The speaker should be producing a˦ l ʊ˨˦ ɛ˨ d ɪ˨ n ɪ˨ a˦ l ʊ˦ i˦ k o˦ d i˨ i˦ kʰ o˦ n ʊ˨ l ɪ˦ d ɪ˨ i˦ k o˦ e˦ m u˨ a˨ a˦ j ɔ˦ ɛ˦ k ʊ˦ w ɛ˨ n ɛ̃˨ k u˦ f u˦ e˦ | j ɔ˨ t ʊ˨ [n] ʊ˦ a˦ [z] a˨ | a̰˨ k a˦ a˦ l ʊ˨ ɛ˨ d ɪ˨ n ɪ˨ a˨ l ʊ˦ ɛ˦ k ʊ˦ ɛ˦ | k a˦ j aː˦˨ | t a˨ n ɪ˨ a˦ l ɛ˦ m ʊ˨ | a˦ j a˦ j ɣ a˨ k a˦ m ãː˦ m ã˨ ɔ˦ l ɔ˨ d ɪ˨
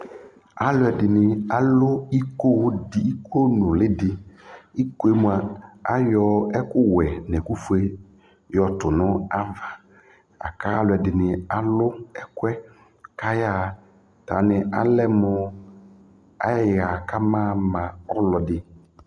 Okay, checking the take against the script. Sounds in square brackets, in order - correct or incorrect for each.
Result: correct, incorrect: v

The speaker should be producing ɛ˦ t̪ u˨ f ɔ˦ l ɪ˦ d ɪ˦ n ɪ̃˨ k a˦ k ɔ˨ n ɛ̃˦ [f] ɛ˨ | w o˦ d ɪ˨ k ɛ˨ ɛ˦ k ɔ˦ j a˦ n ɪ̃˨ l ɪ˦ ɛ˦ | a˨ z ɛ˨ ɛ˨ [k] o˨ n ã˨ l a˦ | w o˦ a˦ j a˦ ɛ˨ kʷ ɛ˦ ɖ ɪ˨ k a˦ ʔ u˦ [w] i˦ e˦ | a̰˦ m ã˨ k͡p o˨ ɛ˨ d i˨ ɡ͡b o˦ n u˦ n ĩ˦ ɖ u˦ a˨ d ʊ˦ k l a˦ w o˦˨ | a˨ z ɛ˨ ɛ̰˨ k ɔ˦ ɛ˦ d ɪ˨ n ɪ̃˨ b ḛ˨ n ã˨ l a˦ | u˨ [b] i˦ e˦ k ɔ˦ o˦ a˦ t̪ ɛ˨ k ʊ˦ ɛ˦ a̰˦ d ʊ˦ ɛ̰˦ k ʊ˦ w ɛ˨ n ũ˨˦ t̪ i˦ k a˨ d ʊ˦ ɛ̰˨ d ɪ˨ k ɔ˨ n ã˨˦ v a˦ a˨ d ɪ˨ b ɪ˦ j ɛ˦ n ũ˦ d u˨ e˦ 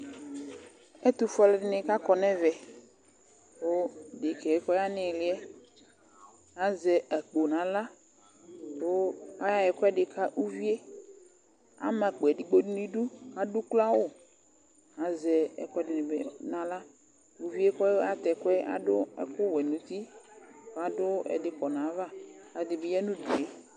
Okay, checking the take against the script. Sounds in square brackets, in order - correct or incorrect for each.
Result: incorrect: v, incorrect: k͡p, incorrect: v, incorrect: v

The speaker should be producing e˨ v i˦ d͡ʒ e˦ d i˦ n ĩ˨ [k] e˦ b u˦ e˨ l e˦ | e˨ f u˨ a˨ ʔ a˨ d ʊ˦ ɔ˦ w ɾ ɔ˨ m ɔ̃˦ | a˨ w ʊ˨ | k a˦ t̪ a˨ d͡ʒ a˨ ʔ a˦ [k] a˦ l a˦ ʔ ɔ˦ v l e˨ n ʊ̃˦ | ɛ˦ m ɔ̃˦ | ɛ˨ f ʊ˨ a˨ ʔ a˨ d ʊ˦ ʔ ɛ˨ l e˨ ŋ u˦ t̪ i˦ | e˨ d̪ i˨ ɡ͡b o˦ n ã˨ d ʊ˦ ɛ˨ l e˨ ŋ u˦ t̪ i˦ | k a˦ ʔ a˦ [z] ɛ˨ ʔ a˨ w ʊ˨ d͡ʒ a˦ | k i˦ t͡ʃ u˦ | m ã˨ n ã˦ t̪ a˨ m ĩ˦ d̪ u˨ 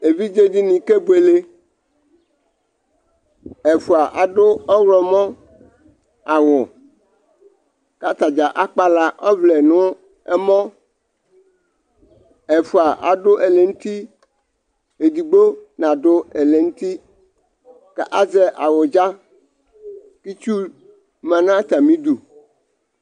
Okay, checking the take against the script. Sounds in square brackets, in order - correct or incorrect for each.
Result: correct, incorrect: k͡p, correct

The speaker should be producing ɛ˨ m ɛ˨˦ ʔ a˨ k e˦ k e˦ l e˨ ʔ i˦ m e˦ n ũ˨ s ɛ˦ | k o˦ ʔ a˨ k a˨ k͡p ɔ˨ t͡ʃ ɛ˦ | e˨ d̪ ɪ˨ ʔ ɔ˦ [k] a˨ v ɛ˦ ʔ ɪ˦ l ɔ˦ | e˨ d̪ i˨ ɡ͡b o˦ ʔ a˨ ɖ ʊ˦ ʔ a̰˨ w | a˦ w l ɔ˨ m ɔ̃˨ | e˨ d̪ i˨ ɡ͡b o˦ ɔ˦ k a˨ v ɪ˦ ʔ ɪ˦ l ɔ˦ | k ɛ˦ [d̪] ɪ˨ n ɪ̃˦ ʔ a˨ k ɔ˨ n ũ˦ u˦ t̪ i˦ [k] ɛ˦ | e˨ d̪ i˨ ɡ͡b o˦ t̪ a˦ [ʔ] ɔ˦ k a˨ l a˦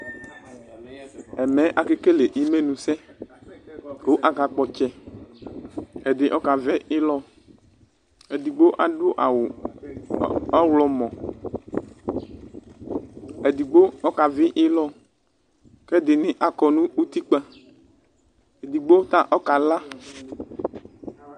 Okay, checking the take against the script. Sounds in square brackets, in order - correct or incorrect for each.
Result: correct, correct, incorrect: k͡p, correct

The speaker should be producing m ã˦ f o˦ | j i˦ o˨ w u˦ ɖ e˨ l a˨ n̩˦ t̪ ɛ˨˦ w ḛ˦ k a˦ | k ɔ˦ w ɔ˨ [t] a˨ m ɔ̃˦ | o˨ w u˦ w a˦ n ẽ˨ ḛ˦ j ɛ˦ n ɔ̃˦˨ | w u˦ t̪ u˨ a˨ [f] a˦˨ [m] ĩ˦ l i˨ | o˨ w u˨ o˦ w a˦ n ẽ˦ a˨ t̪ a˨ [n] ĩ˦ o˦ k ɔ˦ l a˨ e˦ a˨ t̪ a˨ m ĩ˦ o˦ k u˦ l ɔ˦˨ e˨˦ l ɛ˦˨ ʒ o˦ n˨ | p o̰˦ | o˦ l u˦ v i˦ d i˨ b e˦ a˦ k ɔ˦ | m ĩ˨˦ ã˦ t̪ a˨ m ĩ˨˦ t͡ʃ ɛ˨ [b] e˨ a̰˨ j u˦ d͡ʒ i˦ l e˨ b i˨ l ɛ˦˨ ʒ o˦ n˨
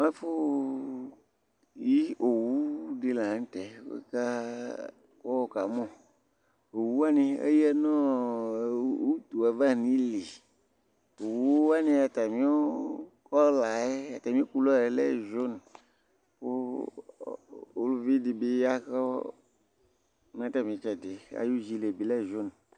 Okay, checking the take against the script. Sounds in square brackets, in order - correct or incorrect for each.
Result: incorrect: k, incorrect: v, incorrect: n, incorrect: m, incorrect: d

